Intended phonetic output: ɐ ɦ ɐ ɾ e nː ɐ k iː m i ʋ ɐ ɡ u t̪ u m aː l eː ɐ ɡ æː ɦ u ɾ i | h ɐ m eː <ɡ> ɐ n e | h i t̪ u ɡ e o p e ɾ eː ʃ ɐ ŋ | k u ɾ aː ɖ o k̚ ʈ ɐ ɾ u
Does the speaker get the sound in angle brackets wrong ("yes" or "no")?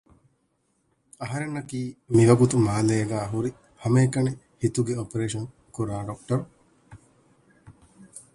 yes